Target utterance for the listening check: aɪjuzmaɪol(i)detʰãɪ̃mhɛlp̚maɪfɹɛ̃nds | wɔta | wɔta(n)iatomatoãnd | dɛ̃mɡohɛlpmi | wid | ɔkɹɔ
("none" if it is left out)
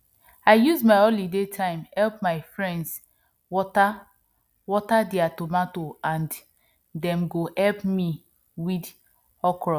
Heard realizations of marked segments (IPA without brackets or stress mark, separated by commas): i, d